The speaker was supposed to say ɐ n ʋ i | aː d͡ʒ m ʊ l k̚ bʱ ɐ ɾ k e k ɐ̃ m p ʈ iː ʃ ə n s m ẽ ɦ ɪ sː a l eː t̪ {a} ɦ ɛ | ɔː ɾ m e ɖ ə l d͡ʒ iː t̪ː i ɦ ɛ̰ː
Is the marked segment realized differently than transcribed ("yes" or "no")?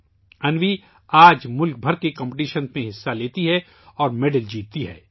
yes